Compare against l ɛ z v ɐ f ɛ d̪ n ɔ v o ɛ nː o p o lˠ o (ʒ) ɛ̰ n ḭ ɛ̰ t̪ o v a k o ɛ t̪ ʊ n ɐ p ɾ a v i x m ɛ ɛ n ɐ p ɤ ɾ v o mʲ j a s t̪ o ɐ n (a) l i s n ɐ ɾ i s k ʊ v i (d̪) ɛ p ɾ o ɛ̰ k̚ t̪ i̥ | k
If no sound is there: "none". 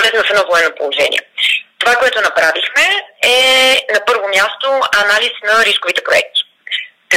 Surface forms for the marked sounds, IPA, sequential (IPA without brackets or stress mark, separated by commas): ʒ, a, t̪